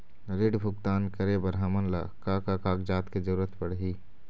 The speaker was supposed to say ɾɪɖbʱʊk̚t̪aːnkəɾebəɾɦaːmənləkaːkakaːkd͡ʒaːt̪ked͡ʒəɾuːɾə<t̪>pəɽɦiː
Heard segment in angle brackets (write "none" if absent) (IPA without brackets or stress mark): t̪